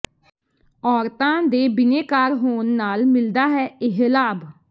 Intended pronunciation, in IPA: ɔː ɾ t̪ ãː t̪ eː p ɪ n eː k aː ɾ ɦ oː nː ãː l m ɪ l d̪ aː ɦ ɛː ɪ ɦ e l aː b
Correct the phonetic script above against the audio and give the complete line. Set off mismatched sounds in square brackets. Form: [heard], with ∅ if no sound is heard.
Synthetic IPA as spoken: ɔː ɾ t̪ ãː [d̪] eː [b] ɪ n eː k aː ɾ ɦ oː nː [aː] l m ɪ l d̪ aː ɦ ɛː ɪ ɦ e l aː b